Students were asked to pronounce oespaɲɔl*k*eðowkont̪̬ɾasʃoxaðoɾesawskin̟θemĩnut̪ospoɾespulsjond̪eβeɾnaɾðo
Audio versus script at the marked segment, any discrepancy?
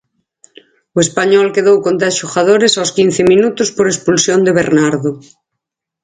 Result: no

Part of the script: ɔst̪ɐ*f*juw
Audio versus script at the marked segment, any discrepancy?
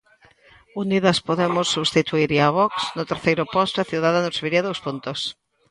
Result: yes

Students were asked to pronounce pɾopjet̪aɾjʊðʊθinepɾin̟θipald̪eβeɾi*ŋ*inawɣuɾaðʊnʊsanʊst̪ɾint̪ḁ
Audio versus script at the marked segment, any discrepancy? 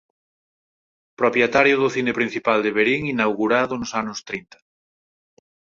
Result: no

